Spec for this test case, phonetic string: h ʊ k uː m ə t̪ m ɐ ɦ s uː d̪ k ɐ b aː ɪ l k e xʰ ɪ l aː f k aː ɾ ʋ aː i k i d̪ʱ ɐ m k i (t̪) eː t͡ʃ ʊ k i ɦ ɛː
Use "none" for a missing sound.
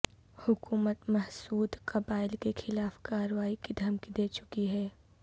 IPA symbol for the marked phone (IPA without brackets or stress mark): d̪